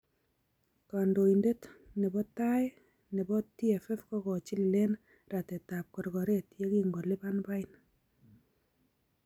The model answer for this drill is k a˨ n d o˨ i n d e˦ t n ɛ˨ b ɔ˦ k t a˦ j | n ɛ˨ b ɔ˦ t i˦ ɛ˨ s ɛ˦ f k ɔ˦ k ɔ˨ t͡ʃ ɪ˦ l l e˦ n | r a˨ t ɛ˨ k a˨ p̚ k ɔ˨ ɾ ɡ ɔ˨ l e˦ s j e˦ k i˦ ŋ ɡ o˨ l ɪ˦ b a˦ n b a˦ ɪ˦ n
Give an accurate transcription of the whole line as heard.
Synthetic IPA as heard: k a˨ n d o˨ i n d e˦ t n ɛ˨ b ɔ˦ t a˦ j | n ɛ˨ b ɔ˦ t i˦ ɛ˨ f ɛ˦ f k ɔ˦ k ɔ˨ t͡ʃ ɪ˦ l l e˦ n | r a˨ t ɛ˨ t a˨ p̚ k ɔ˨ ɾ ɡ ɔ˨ ɾ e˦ t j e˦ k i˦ ŋ ɡ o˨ l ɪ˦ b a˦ n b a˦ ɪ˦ n